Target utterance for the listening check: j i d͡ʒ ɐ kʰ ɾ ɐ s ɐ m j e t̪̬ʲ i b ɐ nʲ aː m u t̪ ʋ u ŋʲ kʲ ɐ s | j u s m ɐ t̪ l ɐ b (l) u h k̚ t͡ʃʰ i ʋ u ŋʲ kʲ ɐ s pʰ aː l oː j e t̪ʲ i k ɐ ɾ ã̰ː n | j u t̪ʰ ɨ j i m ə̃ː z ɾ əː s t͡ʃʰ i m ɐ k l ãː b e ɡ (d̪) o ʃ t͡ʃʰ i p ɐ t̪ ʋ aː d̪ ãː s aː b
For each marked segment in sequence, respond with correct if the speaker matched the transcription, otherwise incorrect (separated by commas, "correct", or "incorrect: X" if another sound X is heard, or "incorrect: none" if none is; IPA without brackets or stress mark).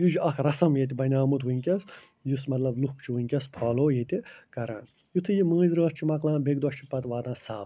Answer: correct, correct